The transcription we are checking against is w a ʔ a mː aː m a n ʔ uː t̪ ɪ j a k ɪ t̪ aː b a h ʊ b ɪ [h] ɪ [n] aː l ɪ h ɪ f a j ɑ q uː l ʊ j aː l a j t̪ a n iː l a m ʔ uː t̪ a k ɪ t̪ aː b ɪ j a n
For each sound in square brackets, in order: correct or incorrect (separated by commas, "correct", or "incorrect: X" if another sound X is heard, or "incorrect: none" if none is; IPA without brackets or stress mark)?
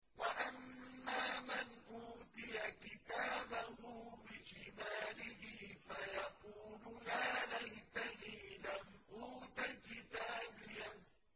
incorrect: ʃ, incorrect: m